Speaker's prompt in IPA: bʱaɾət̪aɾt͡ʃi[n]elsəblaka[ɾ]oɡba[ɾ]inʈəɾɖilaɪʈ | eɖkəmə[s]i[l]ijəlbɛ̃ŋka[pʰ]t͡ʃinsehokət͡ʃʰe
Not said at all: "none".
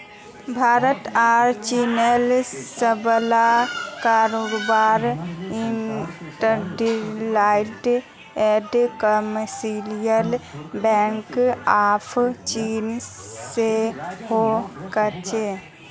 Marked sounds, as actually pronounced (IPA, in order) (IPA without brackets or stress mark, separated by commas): n, ɾ, ɾ, s, l, pʰ